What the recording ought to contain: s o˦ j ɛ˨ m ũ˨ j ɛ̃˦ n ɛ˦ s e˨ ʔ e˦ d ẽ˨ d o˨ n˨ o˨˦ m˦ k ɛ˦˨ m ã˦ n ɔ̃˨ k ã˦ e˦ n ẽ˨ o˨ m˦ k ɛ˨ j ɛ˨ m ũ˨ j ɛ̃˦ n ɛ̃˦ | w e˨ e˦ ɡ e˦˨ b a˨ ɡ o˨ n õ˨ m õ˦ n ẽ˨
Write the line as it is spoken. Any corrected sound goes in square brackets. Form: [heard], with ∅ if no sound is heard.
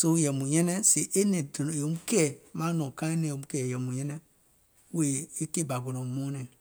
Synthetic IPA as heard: s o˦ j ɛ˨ m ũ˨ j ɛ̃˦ n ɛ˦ s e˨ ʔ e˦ [n] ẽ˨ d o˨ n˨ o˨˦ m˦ k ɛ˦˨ m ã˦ n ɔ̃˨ k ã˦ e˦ n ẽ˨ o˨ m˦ k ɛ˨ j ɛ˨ m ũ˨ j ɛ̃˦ n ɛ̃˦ | w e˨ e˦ [k] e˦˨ b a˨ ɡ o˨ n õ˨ m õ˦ n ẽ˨